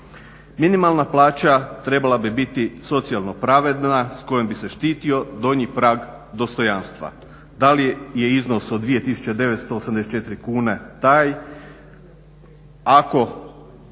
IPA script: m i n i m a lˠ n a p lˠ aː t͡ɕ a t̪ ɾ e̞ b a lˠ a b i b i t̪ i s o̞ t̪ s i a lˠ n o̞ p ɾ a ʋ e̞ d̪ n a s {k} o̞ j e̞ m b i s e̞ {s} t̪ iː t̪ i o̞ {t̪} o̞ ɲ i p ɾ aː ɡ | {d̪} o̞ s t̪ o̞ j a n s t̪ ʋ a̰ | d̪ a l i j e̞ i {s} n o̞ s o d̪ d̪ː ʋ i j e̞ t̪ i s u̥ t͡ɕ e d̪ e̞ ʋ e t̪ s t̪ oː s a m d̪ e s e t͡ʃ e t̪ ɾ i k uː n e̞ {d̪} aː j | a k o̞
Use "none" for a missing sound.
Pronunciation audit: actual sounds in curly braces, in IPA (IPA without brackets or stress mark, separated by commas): k, ʃ, d̪, d̪, z, t̪